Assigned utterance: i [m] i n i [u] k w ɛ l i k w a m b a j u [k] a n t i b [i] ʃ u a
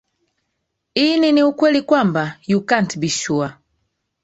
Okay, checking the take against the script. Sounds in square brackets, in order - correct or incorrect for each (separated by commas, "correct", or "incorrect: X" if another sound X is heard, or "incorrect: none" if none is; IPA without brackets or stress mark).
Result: incorrect: n, correct, correct, correct